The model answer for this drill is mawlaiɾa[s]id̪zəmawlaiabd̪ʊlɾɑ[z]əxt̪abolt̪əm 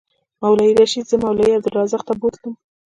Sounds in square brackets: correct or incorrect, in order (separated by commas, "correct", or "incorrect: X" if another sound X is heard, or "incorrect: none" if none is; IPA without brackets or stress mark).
incorrect: ʃ, correct